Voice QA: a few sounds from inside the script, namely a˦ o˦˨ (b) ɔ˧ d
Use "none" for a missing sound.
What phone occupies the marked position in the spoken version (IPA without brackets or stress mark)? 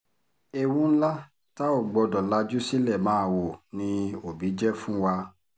ɡ͡b